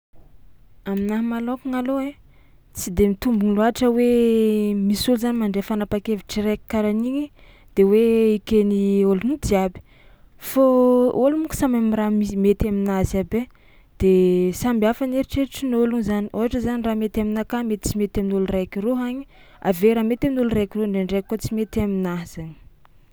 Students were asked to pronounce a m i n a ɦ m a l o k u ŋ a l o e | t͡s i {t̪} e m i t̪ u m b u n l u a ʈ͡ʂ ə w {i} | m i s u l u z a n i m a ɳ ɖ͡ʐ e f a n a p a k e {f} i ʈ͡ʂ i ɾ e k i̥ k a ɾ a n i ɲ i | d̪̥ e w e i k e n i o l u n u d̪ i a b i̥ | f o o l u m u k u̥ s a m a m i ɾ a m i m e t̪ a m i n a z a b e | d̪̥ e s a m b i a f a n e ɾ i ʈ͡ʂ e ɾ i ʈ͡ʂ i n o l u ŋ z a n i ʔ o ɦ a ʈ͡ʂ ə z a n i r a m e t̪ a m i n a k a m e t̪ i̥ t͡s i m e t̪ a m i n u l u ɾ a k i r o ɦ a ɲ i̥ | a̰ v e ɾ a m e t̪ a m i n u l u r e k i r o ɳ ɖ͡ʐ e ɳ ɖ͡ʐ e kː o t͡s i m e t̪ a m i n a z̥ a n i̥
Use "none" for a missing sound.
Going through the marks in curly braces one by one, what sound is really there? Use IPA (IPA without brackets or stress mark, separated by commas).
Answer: d̪, e, v